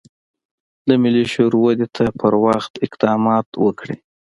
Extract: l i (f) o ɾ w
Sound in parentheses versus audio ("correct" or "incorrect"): incorrect